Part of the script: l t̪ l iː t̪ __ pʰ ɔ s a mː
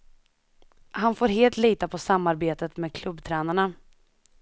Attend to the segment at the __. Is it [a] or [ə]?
a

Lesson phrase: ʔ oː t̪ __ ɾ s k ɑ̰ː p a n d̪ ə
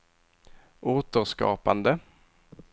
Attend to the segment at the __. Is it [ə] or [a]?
ə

